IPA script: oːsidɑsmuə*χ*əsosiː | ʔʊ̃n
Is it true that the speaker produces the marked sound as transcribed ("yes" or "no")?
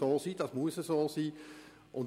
no